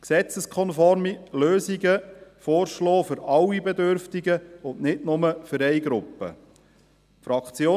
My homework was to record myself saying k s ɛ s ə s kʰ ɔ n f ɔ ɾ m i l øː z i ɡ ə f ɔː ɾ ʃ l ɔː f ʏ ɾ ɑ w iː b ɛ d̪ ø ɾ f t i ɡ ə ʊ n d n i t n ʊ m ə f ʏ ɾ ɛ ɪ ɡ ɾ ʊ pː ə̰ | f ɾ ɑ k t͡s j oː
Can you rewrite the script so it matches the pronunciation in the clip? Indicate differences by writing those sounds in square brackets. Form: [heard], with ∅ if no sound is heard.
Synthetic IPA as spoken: k s ɛ [t͡s] ə s kʰ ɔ n f ɔ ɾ m i l øː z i ɡ ə f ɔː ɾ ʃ l ɔː f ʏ ɾ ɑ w [i] b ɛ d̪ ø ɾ f t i ɡ ə ʊ n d n [ɪ] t n ʊ m ə f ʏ ɾ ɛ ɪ ɡ ɾ ʊ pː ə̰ | f ɾ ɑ k t͡s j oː